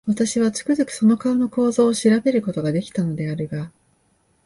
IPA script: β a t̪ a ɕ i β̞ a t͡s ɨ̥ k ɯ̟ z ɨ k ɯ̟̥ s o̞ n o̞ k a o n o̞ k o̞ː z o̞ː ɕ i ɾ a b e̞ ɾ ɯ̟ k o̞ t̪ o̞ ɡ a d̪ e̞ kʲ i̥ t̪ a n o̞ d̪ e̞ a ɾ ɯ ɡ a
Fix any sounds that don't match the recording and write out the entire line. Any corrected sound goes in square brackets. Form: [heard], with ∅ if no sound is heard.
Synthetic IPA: β a t̪ a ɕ i β̞ a t͡s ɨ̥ k ɯ̟ z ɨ k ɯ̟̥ s o̞ n o̞ k a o n o̞ k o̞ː z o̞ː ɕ i ɾ a b e̞ ɾ ɯ̟ k o̞ t̪ o̞ ɡ a d̪ e̞ kʲ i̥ t̪ a n o̞ d̪ e̞ a ɾ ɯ ɡ a